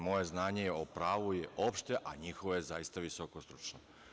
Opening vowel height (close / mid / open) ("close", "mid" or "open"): mid